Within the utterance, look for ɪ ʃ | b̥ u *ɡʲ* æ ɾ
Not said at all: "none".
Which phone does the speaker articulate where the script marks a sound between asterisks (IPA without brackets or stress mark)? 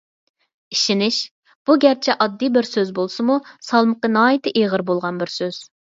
ɡʲ